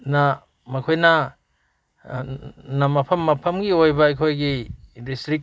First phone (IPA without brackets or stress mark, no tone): n